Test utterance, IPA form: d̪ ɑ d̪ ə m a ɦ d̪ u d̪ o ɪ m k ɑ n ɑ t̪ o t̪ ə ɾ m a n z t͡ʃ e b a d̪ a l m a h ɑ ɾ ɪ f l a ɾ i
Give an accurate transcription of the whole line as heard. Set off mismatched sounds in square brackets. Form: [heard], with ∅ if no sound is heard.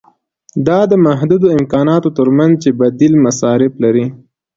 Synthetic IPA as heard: d̪ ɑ d̪ ə m a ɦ d̪ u d̪ o ɪ m k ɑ n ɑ t̪ o t̪ ə ɾ m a n z t͡ʃ e b a d̪ [i] l m a [s] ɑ ɾ ɪ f l a ɾ i

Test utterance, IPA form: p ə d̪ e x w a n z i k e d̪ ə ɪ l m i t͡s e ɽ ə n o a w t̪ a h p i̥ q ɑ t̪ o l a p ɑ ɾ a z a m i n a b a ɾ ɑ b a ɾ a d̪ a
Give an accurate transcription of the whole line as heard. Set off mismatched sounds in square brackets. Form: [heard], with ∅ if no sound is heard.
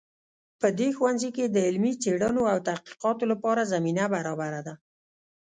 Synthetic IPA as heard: p ə d̪ e x w a n z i k e d̪ ə ɪ l m i t͡s e ɽ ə n o a w t̪ a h [q] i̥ q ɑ t̪ o l a p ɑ ɾ a z a m i n a b a ɾ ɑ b a ɾ a d̪ a

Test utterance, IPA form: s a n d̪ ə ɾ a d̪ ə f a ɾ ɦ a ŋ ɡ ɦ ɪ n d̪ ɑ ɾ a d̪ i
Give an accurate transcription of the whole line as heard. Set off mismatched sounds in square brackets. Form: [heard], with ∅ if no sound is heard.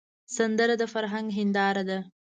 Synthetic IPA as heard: s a n d̪ ə ɾ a d̪ ə f a ɾ ɦ a ŋ ɡ ɦ ɪ n d̪ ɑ ɾ a d̪ [a]

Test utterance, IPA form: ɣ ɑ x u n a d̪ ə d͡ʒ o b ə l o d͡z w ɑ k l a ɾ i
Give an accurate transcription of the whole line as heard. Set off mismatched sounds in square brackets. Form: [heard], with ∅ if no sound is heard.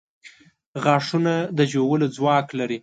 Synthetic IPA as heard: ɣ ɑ [ʂ] u n a d̪ ə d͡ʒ o [w] ə l o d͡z w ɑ k l a ɾ i

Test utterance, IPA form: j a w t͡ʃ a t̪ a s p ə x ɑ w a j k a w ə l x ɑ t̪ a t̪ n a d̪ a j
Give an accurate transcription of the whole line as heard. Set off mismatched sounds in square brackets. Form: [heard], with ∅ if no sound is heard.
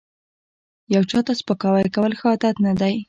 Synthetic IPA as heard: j a w t͡ʃ [ɑ] t̪ a s p ə [k] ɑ w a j k a w ə l x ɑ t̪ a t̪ n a d̪ a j

